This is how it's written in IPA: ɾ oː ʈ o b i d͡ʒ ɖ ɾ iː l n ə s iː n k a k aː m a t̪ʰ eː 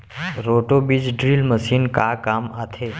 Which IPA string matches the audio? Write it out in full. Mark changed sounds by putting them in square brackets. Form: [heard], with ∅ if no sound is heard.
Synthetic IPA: ɾ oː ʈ o b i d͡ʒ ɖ ɾ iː l [m] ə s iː n k a k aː m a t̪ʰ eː